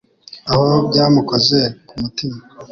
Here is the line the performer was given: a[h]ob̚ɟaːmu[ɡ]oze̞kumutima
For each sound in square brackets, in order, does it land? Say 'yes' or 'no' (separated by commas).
yes, no